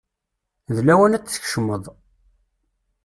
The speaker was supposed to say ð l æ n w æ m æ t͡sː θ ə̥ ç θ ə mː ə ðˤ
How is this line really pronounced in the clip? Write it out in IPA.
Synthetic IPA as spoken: ð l æ w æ n æ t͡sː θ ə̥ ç ʃ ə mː ə ðˤ

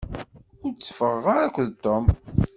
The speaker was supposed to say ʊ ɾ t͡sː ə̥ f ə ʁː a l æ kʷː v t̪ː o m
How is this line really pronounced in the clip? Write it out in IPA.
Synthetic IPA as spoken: ʊ ɾ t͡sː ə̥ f ə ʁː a ɾ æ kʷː ð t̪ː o m

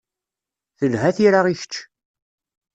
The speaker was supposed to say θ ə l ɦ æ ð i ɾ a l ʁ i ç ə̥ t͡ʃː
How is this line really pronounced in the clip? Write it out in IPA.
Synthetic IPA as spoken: θ ə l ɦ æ θ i ɾ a ʁ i ç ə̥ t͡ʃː

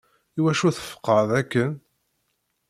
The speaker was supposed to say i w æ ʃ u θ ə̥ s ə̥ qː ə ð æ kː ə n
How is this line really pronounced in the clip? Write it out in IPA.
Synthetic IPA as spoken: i w æ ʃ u θ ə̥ f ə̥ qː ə ð æ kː ə n

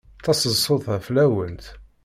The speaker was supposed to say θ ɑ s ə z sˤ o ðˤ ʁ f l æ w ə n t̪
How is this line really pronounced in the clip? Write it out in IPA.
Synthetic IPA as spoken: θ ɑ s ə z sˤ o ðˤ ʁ f l æ w ə n t̪

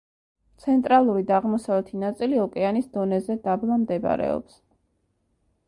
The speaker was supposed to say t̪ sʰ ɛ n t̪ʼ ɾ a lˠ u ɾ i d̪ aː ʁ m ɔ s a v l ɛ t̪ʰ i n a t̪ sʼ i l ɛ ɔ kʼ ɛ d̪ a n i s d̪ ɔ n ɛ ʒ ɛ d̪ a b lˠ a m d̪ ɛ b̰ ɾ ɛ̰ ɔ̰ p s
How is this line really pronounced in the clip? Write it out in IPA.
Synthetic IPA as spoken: t̪ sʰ ɛ n t̪ʼ ɾ a lˠ u ɾ i d̪ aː ʁ m ɔ s a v l ɛ t̪ʰ i n a t̪ sʼ i l i ɔ kʼ ɛ a n i s d̪ ɔ n ɛ z ɛ d̪ a b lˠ a m d̪ ɛ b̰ ɾ ɛ̰ ɔ̰ p s

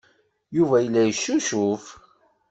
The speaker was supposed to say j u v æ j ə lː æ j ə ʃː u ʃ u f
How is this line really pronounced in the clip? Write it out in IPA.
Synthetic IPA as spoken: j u v æ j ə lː æ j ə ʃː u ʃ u f

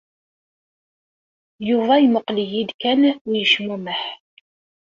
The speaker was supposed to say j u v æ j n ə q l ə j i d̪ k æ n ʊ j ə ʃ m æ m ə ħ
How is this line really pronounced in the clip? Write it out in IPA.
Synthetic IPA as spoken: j u v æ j m ə q l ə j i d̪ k æ n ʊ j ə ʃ m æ m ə ħ

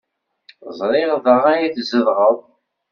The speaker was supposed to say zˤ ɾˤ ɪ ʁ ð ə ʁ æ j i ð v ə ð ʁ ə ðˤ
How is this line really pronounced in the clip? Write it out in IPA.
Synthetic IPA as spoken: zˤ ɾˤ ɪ ʁ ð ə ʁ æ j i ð z ə ð ʁ ə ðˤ

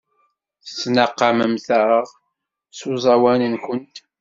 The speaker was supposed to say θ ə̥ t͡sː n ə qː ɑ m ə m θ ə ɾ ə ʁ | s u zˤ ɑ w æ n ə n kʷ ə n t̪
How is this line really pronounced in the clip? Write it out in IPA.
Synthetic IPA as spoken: θ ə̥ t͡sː n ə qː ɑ m ə m θ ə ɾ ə ʁ | s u zˤ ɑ w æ n ə n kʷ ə n t̪

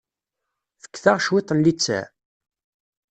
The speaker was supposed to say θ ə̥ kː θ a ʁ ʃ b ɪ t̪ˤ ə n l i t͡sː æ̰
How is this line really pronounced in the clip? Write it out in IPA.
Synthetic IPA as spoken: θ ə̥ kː θ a ʁ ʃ w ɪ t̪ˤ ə n l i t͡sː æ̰

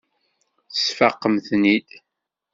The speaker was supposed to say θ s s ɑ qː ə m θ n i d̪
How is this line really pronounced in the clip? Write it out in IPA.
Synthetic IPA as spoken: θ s f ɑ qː ə m θ n i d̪

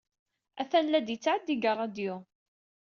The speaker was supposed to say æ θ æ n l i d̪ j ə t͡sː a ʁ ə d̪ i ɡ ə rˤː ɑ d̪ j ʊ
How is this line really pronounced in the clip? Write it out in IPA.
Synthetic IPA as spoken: æ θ æ n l æ d̪ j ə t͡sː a ʕ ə d̪ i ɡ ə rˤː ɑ d̪ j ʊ

